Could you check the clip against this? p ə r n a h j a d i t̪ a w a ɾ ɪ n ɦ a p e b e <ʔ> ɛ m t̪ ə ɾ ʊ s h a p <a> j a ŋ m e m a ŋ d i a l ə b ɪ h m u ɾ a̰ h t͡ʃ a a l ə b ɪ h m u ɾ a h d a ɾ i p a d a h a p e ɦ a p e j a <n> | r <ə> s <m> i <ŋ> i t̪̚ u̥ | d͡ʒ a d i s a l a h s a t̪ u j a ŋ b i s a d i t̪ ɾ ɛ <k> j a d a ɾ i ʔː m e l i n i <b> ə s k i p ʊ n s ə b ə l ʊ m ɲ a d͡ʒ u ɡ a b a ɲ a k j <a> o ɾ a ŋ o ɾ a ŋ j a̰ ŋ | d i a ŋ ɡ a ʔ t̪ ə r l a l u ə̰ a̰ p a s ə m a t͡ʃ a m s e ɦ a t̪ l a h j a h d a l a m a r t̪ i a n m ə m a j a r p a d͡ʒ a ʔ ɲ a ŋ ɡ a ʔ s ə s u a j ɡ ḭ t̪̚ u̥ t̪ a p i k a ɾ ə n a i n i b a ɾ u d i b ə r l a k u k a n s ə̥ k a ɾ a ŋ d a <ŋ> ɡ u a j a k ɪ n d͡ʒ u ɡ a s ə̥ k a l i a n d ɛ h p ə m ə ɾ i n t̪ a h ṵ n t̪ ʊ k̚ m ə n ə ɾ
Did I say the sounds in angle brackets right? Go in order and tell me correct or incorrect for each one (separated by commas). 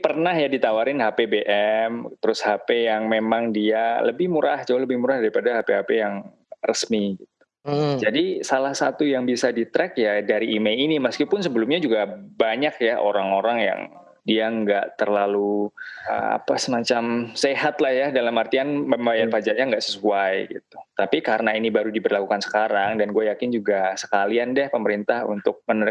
correct, incorrect, incorrect, correct, correct, incorrect, correct, incorrect, correct, incorrect